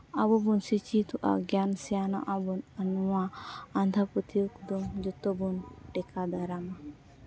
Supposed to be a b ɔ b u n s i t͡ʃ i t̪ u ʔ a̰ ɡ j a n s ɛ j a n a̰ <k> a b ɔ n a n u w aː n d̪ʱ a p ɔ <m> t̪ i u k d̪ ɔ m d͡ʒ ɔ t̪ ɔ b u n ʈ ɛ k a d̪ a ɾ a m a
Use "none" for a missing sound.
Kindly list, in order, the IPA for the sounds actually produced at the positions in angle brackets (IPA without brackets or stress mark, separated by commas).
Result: ʔ, none